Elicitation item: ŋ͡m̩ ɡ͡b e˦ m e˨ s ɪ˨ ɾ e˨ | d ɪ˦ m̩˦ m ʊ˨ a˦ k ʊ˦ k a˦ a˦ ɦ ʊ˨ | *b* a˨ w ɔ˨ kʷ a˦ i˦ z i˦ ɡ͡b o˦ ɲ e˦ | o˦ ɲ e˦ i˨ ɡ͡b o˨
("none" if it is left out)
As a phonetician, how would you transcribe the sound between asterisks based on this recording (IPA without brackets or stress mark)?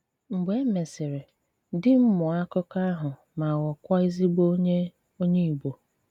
m